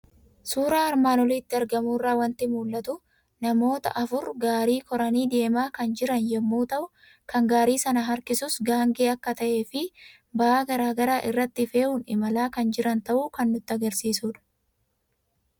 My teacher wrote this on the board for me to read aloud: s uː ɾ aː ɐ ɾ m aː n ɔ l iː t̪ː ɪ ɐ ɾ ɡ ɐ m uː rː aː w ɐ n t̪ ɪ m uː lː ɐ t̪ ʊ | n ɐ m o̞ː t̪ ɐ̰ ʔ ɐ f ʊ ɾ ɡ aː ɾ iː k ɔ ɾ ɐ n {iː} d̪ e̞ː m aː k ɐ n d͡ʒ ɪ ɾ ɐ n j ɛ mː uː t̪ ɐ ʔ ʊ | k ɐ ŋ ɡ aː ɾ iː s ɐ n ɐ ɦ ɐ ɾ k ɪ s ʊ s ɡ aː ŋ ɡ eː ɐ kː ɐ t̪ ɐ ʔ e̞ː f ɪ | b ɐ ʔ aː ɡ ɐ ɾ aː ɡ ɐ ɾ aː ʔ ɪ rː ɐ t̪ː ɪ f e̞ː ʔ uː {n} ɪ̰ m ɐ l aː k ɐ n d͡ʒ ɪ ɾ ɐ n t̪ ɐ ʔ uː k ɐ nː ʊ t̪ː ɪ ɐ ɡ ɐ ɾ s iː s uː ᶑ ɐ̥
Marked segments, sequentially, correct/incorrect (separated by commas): correct, correct